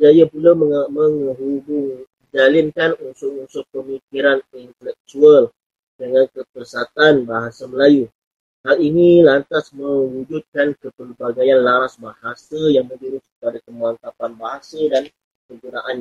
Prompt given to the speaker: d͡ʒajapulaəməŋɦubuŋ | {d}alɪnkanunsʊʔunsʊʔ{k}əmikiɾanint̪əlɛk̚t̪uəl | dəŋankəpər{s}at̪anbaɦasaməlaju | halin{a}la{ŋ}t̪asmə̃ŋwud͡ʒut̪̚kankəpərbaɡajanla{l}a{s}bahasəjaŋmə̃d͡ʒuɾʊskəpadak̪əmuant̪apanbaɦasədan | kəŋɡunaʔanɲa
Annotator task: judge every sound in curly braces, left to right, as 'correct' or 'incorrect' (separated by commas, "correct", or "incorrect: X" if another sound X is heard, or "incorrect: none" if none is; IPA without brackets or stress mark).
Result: incorrect: d͡ʒ, incorrect: p, correct, incorrect: i, incorrect: n, incorrect: ɾ, correct